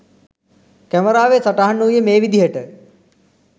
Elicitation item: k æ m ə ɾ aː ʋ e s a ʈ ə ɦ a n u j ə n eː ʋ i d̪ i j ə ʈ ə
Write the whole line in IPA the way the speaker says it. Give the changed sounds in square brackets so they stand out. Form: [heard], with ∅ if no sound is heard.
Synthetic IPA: k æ m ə ɾ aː ʋ e s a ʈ [a] ɦ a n u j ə [m] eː ʋ i d̪ i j ə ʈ ə